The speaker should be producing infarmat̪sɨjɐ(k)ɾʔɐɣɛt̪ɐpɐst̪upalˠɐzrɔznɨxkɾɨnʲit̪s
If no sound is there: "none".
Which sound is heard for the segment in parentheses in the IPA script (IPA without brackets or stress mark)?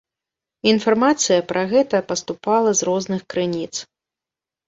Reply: p